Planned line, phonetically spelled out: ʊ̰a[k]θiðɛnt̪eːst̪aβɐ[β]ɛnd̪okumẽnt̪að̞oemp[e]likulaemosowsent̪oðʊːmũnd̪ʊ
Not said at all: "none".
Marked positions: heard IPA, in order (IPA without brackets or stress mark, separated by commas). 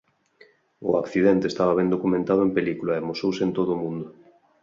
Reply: k, β, e